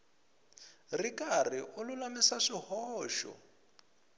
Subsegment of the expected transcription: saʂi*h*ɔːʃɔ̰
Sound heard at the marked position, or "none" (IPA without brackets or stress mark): h